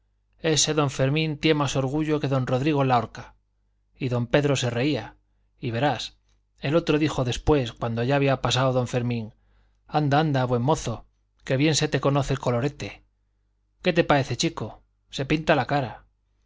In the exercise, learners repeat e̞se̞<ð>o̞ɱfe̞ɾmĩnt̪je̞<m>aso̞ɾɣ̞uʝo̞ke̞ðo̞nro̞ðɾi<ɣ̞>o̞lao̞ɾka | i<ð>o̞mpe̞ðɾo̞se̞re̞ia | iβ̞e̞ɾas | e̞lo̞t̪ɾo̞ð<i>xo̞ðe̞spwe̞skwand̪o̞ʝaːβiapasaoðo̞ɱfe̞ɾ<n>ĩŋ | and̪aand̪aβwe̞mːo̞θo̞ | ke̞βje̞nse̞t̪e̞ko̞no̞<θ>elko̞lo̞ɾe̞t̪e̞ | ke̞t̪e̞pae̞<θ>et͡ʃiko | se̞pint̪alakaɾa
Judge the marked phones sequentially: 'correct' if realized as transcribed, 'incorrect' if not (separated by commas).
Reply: correct, correct, correct, correct, correct, incorrect, correct, correct